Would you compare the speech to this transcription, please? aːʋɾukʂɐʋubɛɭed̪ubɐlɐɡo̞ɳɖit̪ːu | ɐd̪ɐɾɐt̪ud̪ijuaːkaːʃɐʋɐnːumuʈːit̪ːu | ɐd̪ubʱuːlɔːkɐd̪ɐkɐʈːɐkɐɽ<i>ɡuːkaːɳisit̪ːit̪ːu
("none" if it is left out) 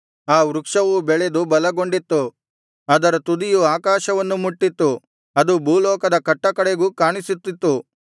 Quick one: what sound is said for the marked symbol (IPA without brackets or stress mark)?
e